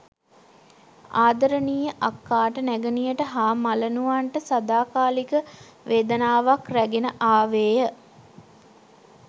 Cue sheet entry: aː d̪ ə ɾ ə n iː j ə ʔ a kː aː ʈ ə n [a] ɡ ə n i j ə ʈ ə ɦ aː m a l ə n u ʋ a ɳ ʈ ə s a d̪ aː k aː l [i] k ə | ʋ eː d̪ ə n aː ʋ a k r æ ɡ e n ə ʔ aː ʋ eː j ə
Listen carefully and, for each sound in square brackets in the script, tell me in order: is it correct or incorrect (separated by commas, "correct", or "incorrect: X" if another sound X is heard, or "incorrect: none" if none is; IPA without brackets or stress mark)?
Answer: incorrect: æ, correct